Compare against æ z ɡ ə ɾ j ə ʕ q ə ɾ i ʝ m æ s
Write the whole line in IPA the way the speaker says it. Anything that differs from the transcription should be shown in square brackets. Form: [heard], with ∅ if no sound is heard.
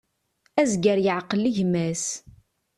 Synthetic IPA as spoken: æ z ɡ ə ɾ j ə ʕ q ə [l] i ʝ m æ s